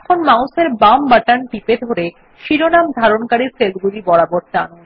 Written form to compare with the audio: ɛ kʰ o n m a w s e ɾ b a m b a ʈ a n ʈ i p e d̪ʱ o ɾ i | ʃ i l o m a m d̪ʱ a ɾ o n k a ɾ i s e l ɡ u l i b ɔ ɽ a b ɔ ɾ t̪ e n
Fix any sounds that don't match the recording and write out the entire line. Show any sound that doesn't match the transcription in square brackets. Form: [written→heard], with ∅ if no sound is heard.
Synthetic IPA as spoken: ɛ kʰ o n m a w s e ɾ b a m b a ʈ a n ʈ i p e d̪ʱ o ɾ [i→e] | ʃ i [l→ɾ] o [m→n] a m d̪ʱ a ɾ o n k a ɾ i s e l ɡ u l i b ɔ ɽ a b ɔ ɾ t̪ [e→a] n